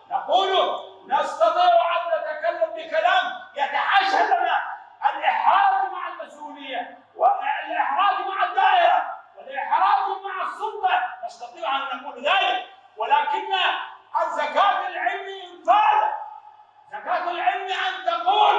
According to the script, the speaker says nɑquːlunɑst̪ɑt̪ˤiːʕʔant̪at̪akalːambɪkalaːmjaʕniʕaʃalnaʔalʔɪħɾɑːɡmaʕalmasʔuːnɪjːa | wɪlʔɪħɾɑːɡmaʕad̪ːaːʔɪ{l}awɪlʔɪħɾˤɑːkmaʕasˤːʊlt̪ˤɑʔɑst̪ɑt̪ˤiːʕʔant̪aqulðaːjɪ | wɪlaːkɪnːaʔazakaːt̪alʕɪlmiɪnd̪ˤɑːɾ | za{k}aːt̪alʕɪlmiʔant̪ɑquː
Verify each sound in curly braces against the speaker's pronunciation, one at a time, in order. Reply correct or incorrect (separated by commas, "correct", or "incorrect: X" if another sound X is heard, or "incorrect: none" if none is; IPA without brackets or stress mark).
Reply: incorrect: ɾ, correct